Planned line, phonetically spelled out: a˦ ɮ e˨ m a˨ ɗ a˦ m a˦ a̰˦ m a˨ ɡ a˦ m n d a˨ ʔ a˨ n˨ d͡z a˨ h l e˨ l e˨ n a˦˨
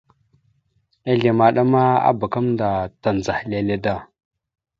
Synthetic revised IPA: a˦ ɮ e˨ m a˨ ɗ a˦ m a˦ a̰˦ b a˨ k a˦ m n d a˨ t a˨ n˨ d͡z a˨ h l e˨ l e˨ d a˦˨